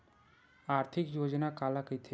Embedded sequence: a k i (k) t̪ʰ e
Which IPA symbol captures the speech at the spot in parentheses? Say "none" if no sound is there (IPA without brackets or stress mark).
none